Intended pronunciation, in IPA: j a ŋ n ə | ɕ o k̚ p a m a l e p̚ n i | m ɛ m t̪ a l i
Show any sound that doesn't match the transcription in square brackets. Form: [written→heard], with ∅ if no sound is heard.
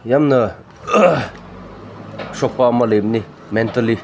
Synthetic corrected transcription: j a [ŋ→m] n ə | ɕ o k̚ p a m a l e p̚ n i | m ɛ [m→n] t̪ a l i